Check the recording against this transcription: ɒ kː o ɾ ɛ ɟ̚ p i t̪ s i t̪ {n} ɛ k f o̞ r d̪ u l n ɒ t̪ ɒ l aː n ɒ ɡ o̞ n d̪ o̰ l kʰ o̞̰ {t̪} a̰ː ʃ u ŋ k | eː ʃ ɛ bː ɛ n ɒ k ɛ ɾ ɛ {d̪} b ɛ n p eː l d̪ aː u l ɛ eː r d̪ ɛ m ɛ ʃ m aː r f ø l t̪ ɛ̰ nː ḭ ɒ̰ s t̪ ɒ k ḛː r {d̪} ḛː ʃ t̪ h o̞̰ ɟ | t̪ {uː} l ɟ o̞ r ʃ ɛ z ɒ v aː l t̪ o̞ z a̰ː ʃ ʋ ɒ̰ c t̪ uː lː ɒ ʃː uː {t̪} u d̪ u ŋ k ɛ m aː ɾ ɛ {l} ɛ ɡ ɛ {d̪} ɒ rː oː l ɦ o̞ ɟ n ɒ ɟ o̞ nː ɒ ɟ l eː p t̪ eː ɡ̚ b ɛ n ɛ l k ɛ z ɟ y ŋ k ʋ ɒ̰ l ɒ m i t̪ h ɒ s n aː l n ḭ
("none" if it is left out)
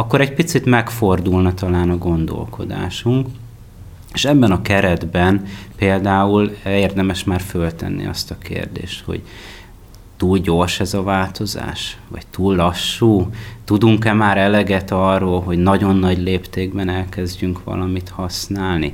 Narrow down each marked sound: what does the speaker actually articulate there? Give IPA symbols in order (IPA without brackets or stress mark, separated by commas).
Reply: m, d̪, d̪, d̪, uː, t̪, l, t̪